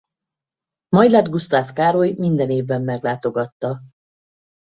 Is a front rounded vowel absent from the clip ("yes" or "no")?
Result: yes